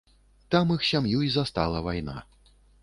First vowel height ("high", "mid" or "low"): low